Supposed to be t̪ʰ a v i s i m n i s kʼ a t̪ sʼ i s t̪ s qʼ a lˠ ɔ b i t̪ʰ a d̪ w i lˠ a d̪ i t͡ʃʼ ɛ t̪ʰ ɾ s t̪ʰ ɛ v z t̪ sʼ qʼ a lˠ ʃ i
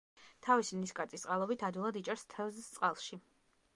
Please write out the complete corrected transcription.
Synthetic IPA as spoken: t̪ʰ a v i s i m n i s kʼ a t̪ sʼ i s t̪ s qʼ a lˠ ɔ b i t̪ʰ a d̪ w i lˠ a d̪ i t͡ʃʼ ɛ ɾ s t̪ʰ ɛ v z t̪ sʼ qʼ a lˠ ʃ i

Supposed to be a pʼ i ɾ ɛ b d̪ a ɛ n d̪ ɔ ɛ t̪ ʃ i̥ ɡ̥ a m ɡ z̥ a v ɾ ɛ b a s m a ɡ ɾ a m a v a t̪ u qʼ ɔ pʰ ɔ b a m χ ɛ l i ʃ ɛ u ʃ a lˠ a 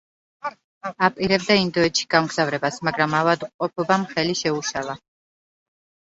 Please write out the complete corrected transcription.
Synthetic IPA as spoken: a pʼ i ɾ ɛ b d̪ a i n d̪ ɔ ɛ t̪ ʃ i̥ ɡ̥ a m ɡ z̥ a v ɾ ɛ b a s m a ɡ ɾ a m a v a d̪ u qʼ ɔ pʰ ɔ b a m χ ɛ l i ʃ ɛ u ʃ a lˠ a

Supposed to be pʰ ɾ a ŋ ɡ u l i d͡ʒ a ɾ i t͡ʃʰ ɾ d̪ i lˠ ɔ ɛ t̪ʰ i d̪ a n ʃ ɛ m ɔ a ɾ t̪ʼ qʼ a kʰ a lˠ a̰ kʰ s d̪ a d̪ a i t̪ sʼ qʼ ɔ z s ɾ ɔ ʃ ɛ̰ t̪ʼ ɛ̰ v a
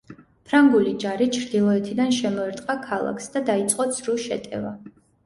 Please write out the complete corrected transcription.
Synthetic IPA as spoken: pʰ ɾ a ŋ ɡ u l i d͡ʒ a ɾ i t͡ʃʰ ɾ d̪ i lˠ ɔ ɛ t̪ʰ i d̪ a n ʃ ɛ m ɔ ɛ ɾ t̪ʼ qʼ a kʰ a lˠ a̰ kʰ s d̪ a d̪ a i t̪ sʼ qʼ ɔ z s ɾ u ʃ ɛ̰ t̪ʼ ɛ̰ v a

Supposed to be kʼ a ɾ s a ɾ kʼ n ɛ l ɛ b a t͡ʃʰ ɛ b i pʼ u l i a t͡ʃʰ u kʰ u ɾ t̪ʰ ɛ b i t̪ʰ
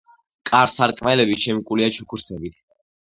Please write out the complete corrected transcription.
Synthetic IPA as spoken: kʼ a ɾ s a ɾ kʼ m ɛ l ɛ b i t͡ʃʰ ɛ m i kʼ u l i a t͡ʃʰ u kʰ u ɾ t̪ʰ ɛ b i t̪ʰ

